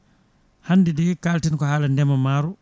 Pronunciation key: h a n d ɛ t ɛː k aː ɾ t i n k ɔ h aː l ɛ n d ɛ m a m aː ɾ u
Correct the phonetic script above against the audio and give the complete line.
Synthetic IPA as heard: h a n d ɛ d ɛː k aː l t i n k ɔ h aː l a n d ɛ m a m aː ɾ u